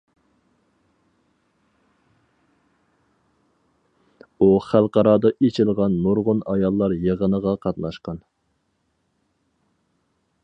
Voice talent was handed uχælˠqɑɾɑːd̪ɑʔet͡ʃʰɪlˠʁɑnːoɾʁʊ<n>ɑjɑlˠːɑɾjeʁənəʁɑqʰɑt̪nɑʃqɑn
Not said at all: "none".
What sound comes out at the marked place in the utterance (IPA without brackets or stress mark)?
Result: n